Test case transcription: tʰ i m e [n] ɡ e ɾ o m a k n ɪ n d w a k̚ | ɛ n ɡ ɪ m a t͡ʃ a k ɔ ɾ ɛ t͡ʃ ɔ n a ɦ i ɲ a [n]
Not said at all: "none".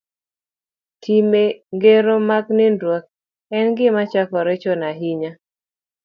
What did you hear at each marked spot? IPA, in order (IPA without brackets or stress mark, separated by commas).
ŋ, none